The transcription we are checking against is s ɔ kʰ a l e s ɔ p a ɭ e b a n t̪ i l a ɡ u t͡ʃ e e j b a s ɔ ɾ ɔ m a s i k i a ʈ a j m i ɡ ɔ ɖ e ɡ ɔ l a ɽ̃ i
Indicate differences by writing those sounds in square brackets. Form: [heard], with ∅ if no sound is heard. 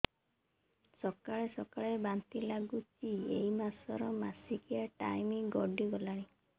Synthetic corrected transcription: s ɔ [k] a [ɭ] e s ɔ [k] a ɭ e b a n t̪ i l a ɡ u t͡ʃ [i] e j [m] a s ɔ ɾ ɔ m a s i k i a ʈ a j m i ɡ ɔ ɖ [i] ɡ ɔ l a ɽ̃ i